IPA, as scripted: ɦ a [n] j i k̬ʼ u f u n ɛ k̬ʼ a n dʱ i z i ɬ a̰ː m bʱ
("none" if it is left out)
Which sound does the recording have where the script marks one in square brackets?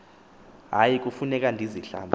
none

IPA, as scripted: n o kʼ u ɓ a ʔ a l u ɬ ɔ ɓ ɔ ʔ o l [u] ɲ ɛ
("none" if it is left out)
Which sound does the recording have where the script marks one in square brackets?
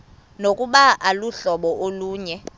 uː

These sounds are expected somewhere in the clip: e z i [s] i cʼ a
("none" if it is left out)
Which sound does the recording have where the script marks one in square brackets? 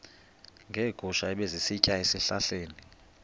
s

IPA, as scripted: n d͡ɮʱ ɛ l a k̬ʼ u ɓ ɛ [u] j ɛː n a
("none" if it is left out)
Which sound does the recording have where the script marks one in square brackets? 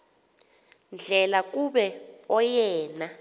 ɔ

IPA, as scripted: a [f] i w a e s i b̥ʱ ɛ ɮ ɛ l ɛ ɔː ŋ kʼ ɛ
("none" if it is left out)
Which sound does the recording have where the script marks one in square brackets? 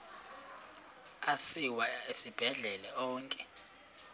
s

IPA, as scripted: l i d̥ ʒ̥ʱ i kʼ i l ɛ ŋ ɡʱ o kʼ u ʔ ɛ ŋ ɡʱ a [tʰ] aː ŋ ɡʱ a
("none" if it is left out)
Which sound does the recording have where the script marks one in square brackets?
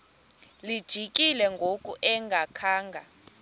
kʰ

